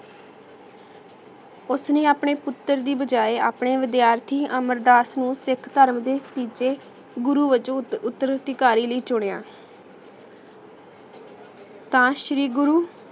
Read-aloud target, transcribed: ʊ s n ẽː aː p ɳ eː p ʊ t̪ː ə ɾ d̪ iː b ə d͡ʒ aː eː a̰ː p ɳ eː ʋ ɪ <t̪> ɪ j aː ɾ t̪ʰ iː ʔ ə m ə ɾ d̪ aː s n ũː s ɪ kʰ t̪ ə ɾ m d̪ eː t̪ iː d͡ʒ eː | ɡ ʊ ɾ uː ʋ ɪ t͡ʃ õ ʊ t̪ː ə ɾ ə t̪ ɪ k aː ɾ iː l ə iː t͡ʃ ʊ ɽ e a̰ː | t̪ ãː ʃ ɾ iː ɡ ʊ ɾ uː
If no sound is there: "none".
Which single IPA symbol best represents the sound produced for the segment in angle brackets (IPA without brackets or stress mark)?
d̪